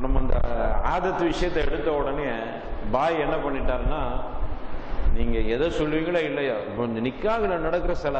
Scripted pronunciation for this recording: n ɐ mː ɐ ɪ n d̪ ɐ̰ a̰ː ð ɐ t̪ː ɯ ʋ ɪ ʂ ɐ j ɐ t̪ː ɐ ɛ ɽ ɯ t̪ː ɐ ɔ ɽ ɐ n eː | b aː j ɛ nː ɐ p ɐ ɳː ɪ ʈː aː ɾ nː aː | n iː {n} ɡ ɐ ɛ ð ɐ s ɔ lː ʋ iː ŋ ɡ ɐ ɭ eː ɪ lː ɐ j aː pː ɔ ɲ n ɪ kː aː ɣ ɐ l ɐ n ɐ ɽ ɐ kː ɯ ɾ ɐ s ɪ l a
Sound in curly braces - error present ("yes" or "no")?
yes